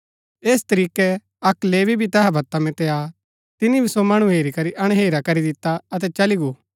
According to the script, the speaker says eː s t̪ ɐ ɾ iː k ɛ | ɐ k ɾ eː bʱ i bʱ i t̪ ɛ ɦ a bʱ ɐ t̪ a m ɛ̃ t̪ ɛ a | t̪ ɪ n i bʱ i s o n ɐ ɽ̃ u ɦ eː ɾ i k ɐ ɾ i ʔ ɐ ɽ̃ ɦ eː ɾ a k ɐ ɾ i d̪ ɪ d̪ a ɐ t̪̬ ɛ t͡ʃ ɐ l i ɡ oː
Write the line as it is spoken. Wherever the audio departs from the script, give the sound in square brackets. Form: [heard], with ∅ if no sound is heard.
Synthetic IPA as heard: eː s t̪ ɐ ɾ iː k ɛ | ɐ k [l] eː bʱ i bʱ i t̪ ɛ ɦ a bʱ ɐ t̪ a m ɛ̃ t̪ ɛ a | t̪ ɪ n i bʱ i s o [m] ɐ ɽ̃ u ɦ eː ɾ i k ɐ ɾ i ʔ ɐ ɽ̃ ɦ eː ɾ a k ɐ ɾ i d̪ ɪ [t̪] a ɐ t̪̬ ɛ t͡ʃ ɐ l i ɡ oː